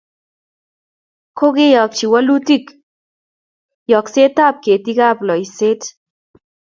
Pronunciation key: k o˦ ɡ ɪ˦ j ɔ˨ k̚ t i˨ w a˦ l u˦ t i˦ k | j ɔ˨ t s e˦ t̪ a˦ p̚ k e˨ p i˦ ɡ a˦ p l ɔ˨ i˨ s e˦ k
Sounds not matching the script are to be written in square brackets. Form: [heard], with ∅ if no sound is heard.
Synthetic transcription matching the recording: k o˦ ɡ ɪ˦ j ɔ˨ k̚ [t͡ʃ] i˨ w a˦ l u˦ t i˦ k | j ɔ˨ [k] s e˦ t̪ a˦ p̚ k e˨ [t] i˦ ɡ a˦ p l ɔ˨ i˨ s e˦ [t]